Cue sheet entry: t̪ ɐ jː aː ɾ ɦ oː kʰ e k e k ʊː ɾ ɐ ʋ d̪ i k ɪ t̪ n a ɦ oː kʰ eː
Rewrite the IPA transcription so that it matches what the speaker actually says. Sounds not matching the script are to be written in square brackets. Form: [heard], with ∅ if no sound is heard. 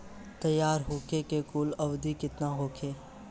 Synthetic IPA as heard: t̪ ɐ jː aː ɾ ɦ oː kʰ e k e k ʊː [l] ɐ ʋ d̪ i k ɪ t̪ n a ɦ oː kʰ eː